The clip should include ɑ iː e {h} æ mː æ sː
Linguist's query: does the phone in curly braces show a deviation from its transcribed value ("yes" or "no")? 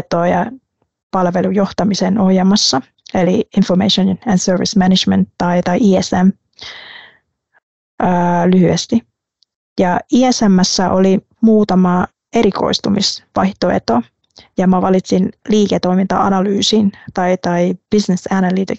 yes